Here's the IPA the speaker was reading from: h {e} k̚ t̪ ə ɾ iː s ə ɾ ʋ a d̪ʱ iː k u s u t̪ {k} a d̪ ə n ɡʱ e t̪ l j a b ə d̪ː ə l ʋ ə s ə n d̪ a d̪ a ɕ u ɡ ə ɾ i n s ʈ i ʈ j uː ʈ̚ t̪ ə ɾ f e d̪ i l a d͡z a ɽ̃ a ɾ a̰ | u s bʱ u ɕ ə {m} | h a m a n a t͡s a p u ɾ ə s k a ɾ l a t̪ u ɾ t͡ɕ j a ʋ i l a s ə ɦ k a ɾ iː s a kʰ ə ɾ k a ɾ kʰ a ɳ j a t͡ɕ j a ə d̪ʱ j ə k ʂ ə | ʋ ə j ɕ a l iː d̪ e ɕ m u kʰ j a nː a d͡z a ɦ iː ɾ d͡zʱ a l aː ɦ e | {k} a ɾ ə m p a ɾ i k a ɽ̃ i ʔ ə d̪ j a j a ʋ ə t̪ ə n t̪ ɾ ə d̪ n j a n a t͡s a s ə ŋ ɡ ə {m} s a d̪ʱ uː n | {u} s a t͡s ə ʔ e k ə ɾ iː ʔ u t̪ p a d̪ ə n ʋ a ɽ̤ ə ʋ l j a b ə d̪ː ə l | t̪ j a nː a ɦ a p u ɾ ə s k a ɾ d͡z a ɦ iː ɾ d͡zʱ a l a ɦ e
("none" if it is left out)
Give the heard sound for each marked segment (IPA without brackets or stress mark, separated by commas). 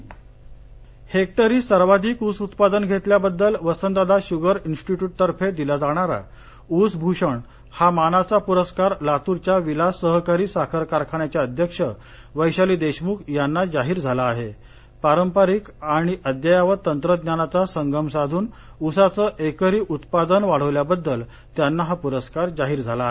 e, p, ɳ, p, m, u